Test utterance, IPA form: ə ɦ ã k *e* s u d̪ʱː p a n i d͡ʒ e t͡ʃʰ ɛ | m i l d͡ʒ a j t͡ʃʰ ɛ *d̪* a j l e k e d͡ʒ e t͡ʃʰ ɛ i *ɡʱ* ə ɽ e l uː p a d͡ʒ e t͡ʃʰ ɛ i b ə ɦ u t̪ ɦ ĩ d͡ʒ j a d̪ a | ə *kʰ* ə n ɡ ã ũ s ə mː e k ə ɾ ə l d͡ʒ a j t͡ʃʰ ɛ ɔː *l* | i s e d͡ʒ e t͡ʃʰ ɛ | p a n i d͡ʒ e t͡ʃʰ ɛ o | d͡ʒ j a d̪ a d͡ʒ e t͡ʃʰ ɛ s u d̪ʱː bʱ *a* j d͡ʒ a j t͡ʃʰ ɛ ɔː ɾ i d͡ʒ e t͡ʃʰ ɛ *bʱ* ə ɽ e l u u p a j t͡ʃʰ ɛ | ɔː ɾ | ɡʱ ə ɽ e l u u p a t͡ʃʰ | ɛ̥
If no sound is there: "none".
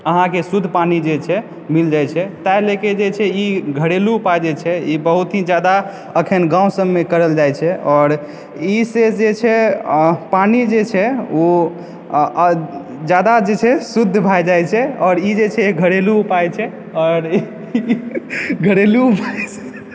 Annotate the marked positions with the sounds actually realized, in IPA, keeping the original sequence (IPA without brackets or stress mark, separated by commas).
e, t̪, ɡʱ, kʰ, ɾ, a, ɡʱ